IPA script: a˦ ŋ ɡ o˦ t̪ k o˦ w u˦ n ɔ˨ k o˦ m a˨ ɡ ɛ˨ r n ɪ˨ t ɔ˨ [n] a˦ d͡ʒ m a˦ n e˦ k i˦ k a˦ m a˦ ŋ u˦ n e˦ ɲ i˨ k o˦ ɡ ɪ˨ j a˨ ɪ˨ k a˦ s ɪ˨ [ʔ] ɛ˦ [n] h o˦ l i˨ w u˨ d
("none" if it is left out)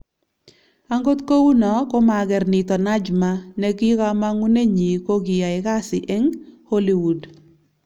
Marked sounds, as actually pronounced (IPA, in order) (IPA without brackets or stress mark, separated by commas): n, ʔ, ŋ